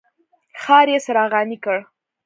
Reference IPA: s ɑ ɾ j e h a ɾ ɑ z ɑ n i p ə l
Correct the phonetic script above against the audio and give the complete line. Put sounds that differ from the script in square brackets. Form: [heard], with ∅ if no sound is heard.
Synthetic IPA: [x] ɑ ɾ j e [s] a ɾ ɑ [ɣ] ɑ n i [k] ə [ɽ]